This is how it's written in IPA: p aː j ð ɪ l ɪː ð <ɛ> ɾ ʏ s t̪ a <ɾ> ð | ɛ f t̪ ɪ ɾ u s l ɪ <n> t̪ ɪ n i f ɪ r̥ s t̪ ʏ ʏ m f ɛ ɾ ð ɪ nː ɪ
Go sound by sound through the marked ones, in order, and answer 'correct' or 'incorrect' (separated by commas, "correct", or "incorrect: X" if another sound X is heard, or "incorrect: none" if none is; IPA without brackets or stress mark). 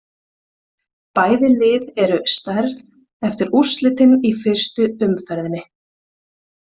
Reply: correct, correct, incorrect: none